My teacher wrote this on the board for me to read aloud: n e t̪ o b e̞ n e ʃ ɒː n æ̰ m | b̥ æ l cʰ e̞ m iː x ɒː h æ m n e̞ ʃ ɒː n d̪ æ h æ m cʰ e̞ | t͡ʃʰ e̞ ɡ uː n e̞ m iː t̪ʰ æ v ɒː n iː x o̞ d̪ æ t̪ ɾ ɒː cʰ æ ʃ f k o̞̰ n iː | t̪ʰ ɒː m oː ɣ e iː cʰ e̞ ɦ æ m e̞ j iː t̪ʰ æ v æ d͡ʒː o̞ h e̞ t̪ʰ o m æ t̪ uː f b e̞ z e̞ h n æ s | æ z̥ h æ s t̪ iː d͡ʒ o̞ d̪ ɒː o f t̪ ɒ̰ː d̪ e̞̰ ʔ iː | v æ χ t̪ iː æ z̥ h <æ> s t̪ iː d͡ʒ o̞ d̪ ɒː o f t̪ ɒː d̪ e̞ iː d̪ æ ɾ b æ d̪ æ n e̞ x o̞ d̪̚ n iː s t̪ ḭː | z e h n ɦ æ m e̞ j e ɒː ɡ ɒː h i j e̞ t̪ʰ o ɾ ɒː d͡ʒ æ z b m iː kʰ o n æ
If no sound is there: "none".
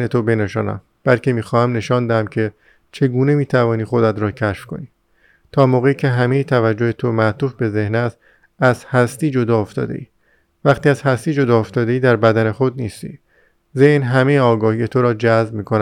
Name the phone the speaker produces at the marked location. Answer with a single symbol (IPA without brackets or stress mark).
æ